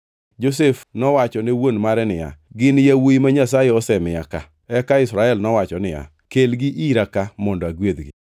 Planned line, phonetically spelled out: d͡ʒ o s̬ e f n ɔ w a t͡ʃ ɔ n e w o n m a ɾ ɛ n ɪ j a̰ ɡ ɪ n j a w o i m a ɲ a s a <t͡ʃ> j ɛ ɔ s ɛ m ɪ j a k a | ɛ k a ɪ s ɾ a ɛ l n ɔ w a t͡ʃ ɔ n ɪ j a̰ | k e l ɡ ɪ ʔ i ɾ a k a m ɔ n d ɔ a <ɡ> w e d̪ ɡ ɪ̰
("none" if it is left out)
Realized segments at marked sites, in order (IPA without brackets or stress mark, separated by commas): none, ɡ